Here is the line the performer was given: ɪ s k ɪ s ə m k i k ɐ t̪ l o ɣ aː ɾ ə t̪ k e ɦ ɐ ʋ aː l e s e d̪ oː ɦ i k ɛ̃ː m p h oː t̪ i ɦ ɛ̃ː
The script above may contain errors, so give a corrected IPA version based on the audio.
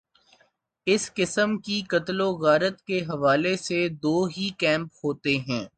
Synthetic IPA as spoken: ɪ s k ɪ s ə m k i k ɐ t̪ l o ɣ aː ɾ ə t̪ k e ɦ ɐ ʋ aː l e s e d̪ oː ɦ i k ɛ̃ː m p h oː t̪ e ɦ ɛ̃ː

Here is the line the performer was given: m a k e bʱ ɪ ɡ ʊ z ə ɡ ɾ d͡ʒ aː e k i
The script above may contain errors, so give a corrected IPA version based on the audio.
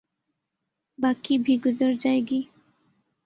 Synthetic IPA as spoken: b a k i bʱ i ɡ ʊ z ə ɾ d͡ʒ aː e ɡ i

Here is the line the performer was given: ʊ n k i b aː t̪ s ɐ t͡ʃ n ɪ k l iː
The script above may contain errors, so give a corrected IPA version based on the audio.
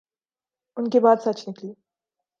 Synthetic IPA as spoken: ʊ n k e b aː d̪ s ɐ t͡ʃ n ɪ k l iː

